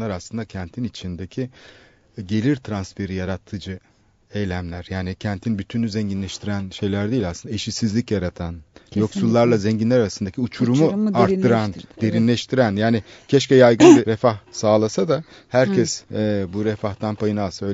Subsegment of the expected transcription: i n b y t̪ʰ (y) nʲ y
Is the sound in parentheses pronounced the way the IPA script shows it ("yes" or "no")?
yes